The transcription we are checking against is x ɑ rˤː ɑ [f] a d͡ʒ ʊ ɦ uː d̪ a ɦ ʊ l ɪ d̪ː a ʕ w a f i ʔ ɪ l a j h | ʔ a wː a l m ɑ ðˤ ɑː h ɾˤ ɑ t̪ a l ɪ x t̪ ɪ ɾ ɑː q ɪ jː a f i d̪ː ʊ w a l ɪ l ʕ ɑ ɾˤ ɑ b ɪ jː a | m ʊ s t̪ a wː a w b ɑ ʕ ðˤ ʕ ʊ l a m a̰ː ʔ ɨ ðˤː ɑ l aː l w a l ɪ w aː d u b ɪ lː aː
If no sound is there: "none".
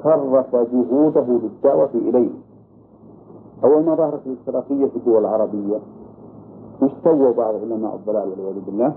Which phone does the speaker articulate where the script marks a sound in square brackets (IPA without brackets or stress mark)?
f